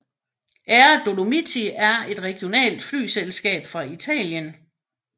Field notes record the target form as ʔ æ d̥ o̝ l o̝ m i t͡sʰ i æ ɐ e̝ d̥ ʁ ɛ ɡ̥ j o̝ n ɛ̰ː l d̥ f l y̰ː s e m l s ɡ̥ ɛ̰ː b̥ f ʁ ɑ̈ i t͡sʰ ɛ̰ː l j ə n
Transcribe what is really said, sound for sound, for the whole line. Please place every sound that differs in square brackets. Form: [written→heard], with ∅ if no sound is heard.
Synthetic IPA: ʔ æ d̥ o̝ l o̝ m i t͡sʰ i æ ɐ e̝ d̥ ʁ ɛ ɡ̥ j o̝ n ɛ̰ː l d̥ f l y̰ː s e [m→∅] l s ɡ̥ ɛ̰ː b̥ f ʁ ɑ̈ i t͡sʰ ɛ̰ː l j ə n